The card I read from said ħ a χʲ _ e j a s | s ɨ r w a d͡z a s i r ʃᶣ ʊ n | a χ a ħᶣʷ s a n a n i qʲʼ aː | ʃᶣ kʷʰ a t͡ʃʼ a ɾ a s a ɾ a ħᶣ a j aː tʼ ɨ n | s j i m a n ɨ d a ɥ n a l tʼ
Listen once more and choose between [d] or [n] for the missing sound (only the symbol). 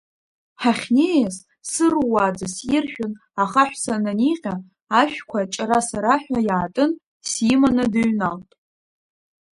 n